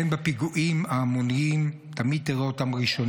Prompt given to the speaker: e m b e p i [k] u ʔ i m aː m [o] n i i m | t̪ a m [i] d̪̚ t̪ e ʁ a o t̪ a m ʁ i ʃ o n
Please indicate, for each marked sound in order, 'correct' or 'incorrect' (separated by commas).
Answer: incorrect, correct, correct